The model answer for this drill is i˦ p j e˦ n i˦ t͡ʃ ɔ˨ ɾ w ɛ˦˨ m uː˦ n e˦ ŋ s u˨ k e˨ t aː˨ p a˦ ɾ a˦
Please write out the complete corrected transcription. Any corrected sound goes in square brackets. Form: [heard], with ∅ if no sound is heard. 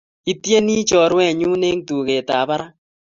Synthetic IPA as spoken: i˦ [t] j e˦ n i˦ t͡ʃ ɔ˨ ɾ w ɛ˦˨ [ɲ] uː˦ n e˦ ŋ [t] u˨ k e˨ t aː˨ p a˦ ɾ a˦